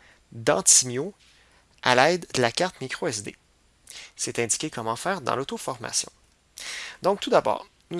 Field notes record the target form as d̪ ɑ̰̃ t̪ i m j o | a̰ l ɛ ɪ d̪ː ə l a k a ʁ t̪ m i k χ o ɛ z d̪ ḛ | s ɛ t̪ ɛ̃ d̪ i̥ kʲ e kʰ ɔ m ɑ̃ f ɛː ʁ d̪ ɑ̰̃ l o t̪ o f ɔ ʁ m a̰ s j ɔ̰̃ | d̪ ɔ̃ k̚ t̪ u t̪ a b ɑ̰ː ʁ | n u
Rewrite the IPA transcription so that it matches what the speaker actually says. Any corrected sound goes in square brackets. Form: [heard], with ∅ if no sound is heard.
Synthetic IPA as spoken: d̪ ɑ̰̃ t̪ i m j o | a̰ l ɛ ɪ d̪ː ə l a k a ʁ t̪ m i k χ o ɛ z d̪ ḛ | s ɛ t̪ ɛ̃ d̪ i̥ kʲ e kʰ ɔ m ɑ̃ f ɛː ʁ d̪ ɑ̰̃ l o t̪ o f ɔ ʁ m a̰ s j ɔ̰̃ | d̪ ɔ̃ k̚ t̪ u [d̪] a b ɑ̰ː ʁ | n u